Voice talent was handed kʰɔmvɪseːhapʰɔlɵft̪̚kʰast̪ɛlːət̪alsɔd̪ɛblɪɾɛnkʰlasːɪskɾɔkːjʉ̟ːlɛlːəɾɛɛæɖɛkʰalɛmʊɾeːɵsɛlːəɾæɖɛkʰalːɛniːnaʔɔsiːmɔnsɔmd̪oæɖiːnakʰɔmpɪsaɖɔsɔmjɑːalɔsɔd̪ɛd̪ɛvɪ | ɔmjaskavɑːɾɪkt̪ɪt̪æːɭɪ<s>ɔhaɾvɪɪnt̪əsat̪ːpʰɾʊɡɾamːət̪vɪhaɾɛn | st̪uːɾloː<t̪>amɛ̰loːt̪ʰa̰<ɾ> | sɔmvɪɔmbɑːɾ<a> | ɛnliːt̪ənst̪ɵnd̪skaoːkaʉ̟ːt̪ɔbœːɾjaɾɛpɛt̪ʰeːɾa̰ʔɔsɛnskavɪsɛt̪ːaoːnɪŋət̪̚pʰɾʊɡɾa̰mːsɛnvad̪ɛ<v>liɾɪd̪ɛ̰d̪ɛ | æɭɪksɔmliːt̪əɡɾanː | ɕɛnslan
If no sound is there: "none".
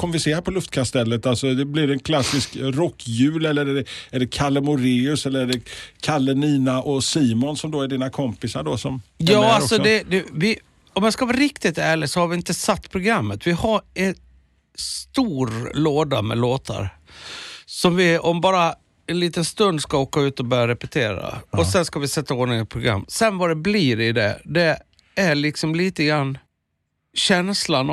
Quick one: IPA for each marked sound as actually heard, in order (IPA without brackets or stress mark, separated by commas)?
s, d̪, ɾ, a, b